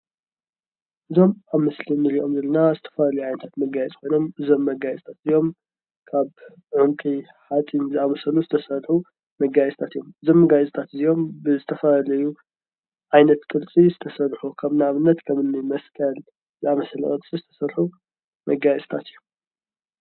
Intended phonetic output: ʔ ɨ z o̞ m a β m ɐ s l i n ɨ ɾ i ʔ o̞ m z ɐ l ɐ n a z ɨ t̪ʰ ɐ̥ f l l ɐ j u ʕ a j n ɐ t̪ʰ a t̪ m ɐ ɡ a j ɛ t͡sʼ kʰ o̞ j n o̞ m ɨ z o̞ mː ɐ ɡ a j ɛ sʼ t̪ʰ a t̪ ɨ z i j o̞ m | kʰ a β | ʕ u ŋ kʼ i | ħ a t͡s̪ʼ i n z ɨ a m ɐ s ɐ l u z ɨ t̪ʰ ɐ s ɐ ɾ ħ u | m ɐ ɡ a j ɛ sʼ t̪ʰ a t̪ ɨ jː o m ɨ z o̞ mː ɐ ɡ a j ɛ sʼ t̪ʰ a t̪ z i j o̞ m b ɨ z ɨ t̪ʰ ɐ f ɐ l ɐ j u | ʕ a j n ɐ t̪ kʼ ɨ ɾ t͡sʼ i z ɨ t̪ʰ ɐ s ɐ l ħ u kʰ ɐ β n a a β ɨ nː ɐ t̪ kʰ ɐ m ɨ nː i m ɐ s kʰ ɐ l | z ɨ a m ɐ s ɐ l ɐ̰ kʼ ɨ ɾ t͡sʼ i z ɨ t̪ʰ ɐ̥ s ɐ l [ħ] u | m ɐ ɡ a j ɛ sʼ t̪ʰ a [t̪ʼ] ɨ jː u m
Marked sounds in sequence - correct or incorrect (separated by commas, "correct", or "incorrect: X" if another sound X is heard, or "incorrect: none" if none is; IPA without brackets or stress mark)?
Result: correct, incorrect: t̪